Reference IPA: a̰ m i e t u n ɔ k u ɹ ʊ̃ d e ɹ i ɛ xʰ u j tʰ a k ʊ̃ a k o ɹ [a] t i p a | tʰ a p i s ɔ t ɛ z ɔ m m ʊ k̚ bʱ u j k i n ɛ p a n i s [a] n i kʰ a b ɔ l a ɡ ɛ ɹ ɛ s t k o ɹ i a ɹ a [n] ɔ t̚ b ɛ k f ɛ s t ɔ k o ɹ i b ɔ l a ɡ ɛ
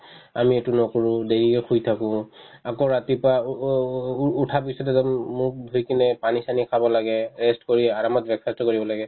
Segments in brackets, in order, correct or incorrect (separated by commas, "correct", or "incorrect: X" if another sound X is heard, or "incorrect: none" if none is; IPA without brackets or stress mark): correct, correct, incorrect: m